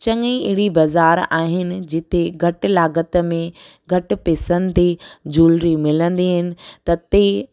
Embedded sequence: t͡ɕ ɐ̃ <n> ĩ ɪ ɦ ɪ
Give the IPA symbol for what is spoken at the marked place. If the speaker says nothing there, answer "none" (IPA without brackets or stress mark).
ŋ